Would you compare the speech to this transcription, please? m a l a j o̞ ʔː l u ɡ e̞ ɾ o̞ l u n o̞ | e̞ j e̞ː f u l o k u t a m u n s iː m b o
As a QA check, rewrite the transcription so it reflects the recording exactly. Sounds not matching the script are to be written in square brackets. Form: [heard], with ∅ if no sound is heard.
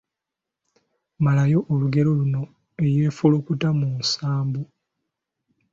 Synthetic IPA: m a l a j o̞ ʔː l u ɡ e̞ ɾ o̞ l u n o̞ | e̞ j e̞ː f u l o k u t a m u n s [aː] m b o